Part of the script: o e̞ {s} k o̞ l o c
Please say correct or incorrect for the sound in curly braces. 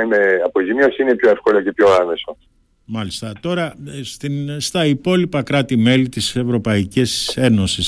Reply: incorrect